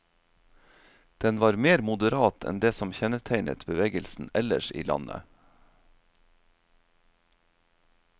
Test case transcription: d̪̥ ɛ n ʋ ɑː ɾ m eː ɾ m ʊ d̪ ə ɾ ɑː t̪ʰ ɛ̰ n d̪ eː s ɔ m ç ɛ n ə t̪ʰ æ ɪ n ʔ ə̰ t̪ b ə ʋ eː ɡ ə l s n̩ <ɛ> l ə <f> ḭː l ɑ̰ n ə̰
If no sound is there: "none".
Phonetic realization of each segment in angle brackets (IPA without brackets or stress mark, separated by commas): ɛ, ʃ